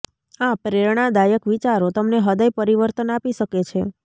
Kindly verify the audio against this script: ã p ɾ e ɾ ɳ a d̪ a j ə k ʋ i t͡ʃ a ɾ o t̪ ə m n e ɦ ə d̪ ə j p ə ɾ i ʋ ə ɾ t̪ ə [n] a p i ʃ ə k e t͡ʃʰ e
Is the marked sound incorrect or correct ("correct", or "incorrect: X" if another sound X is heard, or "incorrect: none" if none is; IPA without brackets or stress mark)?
correct